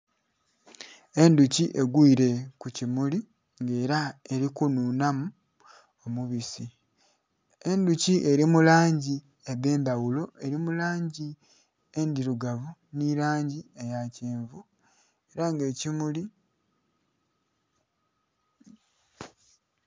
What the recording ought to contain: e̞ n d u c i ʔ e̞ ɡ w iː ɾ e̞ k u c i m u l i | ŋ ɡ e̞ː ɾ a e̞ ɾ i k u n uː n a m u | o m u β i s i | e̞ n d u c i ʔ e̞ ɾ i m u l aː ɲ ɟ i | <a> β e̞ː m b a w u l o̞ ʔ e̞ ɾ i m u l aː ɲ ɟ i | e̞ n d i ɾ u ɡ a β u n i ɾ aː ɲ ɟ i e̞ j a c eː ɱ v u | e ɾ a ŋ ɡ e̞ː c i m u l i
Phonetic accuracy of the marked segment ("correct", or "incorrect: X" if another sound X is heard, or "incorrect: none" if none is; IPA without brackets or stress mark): incorrect: e